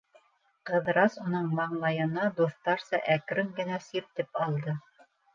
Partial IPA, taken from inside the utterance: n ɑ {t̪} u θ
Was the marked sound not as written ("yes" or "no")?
yes